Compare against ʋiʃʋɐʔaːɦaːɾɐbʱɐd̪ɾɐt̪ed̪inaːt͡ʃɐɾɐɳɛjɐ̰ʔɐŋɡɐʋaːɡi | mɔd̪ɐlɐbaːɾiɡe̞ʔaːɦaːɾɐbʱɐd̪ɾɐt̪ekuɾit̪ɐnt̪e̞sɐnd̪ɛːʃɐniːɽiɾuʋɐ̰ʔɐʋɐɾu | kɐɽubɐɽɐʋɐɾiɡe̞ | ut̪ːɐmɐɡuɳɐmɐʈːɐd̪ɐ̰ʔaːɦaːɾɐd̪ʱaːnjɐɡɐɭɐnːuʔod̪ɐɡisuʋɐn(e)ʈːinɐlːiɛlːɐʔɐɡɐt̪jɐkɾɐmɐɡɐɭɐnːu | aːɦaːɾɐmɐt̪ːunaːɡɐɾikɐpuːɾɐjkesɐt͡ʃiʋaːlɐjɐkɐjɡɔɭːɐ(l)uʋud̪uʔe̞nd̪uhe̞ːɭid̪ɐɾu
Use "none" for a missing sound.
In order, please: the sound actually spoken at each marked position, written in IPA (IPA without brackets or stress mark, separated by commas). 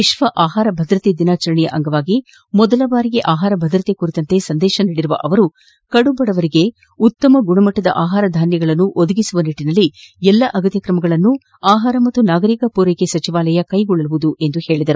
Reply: i, l